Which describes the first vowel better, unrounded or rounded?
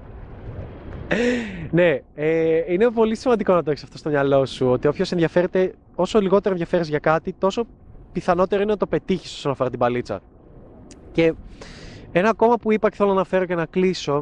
unrounded